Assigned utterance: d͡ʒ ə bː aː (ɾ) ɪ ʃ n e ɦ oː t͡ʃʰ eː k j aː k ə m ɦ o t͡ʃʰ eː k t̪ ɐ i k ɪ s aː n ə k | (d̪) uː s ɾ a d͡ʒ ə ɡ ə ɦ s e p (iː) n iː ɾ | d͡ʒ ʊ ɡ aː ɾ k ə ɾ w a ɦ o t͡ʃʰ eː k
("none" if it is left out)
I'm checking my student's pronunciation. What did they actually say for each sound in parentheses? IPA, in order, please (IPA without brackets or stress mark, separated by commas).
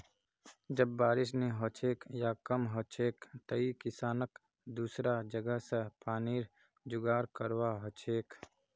ɾ, d̪, aː